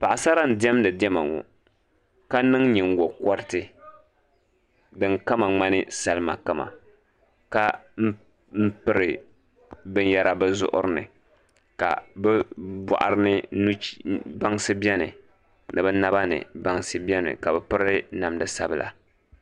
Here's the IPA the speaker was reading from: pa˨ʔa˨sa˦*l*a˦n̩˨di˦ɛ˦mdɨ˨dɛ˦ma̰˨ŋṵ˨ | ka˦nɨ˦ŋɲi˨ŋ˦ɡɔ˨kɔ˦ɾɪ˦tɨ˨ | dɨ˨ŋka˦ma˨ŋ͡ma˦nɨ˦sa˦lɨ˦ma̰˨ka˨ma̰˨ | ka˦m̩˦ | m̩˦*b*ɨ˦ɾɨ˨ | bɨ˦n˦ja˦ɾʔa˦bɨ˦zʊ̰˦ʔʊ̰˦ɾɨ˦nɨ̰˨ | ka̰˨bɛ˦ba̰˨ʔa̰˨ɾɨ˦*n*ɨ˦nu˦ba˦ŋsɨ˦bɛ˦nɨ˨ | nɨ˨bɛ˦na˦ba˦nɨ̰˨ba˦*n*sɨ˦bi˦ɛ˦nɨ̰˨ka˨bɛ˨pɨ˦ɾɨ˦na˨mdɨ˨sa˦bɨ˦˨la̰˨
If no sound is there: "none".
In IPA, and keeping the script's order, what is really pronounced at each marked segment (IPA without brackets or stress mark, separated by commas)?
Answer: ɾ, p, n, ŋ